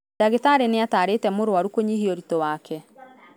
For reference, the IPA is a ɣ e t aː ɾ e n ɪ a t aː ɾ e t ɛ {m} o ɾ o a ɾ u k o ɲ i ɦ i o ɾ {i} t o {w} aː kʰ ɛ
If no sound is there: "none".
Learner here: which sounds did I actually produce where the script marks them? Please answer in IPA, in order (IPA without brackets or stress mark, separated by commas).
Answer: m, i, w